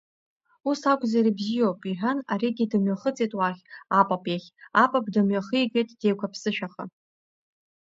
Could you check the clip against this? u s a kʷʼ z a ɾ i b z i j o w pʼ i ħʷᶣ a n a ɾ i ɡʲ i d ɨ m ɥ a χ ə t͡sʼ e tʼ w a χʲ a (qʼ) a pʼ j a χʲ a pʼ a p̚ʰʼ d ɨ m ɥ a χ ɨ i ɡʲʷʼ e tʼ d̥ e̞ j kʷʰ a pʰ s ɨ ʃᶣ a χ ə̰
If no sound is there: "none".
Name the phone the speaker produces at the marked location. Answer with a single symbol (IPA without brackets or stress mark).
pʼ